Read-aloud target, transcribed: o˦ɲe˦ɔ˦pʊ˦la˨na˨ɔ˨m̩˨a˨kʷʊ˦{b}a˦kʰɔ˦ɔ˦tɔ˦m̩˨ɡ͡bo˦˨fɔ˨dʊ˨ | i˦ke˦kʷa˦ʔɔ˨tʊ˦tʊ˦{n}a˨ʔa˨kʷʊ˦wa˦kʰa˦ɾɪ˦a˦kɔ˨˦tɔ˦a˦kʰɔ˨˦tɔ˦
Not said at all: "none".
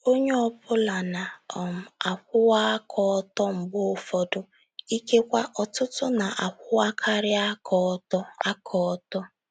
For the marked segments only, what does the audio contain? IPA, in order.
w, n

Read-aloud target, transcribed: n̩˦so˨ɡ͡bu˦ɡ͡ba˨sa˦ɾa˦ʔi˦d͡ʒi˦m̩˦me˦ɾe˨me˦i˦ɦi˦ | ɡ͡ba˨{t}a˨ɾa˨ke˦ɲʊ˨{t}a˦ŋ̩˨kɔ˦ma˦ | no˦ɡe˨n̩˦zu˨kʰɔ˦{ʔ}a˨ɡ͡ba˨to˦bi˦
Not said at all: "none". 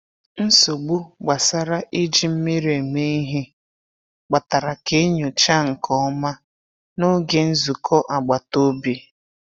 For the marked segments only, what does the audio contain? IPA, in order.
t, t͡ʃ, ʔ

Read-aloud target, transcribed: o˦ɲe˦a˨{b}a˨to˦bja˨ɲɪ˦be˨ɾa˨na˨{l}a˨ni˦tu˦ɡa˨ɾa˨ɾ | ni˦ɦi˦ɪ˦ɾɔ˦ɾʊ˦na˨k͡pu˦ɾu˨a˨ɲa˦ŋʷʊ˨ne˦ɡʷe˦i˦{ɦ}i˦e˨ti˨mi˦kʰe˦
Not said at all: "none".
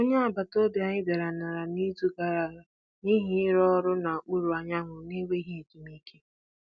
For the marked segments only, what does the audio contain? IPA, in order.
b, ɾ, ɦ

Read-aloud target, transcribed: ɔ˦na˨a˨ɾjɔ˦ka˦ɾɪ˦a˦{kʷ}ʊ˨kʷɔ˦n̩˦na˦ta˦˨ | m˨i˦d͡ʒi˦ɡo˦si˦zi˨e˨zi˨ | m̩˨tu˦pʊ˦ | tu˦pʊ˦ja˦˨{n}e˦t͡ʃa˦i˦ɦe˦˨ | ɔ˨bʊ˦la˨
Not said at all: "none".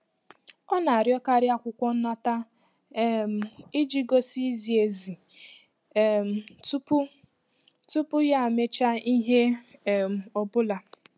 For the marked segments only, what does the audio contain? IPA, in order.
kʷ, m

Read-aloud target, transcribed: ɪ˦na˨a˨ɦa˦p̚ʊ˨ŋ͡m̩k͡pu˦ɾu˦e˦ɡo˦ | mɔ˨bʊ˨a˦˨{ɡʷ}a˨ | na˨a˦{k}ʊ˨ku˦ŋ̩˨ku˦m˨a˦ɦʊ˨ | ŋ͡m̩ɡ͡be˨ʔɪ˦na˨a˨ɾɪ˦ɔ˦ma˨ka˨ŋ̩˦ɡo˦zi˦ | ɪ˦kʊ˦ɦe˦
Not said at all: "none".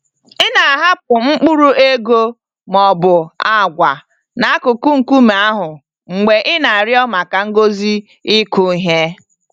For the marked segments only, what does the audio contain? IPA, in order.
ɡʷ, k

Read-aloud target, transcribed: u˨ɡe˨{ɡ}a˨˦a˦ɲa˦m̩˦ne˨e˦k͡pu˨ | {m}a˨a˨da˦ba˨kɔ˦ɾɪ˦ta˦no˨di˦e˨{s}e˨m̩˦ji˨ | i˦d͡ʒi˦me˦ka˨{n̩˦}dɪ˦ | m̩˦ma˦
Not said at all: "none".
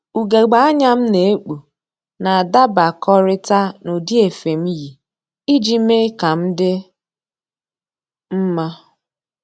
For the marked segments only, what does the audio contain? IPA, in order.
ɡ͡b, n, f, m̩˦

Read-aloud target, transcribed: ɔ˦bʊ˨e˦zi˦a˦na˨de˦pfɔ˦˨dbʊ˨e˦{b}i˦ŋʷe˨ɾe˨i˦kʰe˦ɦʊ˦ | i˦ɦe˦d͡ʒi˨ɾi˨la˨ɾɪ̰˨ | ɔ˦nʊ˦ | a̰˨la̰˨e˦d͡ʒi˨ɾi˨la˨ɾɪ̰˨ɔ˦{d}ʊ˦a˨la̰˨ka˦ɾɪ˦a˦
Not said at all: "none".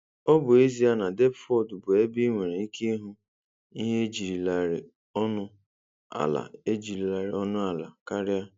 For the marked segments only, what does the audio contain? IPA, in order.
b, n

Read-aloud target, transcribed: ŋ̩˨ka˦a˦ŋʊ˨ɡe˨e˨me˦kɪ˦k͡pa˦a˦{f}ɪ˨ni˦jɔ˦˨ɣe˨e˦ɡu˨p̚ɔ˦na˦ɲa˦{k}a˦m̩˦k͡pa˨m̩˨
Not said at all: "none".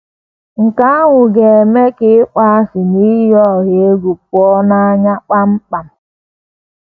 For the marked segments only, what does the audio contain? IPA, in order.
s, k͡p

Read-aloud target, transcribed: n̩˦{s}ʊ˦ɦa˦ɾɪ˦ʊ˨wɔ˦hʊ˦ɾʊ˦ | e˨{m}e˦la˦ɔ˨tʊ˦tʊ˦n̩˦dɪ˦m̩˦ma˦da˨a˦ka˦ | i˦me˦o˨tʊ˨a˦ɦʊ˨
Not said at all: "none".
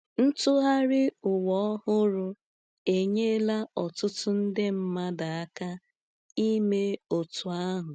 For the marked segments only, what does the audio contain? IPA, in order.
t, ɲ

